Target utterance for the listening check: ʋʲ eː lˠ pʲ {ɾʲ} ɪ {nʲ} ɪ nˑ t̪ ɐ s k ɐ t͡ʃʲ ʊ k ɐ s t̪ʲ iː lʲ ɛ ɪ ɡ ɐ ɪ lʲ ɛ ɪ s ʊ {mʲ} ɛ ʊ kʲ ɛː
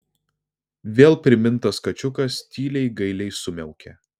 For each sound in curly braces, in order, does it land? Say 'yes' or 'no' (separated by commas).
yes, no, yes